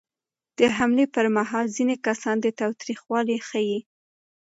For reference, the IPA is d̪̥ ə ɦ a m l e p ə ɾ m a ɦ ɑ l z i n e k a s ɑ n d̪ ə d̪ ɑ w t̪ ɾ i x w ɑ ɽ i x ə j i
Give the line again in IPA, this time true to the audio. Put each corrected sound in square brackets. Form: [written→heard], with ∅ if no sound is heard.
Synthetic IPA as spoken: d̪̥ ə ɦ a m l e p ə ɾ m a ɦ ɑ l z i n e k a s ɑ n d̪ ə [d̪→t̪] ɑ w t̪ ɾ i x w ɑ [ɽ→l] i x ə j i